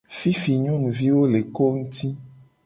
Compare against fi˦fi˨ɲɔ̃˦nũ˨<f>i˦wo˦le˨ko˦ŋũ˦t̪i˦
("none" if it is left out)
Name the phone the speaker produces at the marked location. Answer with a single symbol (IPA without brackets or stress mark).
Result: v